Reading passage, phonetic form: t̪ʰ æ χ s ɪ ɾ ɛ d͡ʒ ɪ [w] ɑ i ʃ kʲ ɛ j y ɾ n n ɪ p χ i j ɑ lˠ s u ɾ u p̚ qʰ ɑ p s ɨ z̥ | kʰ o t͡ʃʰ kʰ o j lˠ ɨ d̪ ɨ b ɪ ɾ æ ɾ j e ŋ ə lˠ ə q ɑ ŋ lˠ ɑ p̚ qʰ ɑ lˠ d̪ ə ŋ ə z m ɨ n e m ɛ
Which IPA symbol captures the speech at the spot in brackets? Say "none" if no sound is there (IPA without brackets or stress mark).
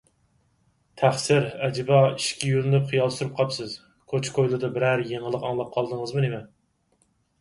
b